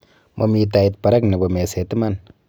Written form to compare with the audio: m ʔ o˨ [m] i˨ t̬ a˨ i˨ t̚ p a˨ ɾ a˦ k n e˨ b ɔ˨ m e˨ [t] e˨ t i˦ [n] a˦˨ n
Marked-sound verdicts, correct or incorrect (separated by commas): correct, incorrect, incorrect